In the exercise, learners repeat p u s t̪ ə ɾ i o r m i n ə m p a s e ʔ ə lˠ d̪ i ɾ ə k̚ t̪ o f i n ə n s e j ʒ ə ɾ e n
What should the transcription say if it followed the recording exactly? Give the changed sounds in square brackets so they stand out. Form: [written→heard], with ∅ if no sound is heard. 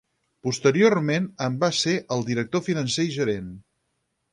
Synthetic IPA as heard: p u s t̪ ə ɾ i o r m [i→e] n ə m [p→b] a s e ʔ ə lˠ d̪ i ɾ ə k̚ t̪ o f i n ə n s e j ʒ ə ɾ e n